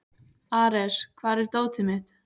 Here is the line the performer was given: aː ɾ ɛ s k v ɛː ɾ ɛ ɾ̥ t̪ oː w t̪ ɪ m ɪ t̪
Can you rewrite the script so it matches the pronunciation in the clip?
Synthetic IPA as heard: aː ɾ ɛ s kʰ v aː ɾ ɛ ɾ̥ t̪ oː w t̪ ɪ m ɪ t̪